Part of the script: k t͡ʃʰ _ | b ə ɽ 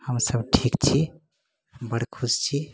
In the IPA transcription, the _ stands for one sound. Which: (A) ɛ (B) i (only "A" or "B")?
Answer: B